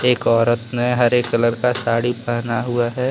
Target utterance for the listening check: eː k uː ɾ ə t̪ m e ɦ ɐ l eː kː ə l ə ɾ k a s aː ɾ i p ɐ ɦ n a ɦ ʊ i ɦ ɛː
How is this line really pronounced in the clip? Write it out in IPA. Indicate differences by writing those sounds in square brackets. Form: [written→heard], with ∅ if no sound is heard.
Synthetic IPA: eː k [uː→ɔː] ɾ ə t̪ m e ɦ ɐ [l→ɾ] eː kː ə l ə ɾ k a s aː [ɾ→ɽ] i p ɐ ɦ n a ɦ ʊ [i→a] ɦ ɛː